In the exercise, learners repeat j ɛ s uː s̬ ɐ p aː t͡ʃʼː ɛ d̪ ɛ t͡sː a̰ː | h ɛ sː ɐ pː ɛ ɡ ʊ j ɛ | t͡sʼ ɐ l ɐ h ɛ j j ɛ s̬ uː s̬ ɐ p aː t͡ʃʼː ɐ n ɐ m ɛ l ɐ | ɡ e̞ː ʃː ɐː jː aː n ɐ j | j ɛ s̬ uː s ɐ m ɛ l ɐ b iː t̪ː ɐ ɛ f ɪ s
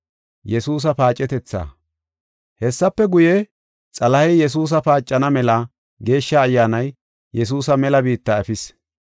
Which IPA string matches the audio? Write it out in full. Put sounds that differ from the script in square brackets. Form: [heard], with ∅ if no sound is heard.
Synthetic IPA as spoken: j ɛ s uː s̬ ɐ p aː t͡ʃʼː ɛ [t̪] ɛ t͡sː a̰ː | h ɛ sː ɐ pː ɛ ɡ ʊ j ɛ | t͡sʼ ɐ l ɐ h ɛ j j ɛ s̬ uː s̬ ɐ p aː t͡ʃʼː ɐ n ɐ m ɛ l ɐ | ɡ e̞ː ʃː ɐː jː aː n ɐ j | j ɛ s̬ uː s ɐ m ɛ l ɐ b iː t̪ː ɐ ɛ f ɪ s